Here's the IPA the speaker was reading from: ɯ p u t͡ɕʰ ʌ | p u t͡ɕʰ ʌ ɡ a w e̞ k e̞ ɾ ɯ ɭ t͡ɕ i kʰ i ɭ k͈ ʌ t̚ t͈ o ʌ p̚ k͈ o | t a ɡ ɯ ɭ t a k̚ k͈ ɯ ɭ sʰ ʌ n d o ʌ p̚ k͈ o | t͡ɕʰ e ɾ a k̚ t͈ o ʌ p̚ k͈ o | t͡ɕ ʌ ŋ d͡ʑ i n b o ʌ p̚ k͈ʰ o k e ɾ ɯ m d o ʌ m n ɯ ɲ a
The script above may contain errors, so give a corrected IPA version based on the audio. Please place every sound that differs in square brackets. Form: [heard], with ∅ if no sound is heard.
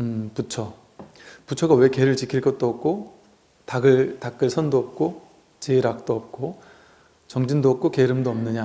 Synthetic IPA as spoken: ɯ p u t͡ɕʰ ʌ | p u t͡ɕʰ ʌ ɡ a w e̞ k e̞ ɾ ɯ ɭ t͡ɕ i kʰ i ɭ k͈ ʌ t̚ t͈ o ʌ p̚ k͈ o | t a ɡ ɯ ɭ t a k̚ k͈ ɯ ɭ sʰ ʌ n d o ʌ p̚ k͈ o | [t͡ɕ] e ɾ a k̚ t͈ o ʌ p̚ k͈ o | t͡ɕ ʌ ŋ d͡ʑ i n [d] o ʌ p̚ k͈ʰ o k e ɾ ɯ m d o ʌ m n ɯ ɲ a